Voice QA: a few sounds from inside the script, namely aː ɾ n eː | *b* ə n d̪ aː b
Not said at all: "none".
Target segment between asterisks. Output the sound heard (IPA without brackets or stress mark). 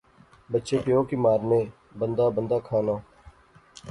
b